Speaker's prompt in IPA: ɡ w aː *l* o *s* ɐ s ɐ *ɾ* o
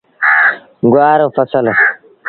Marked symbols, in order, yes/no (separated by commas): no, no, no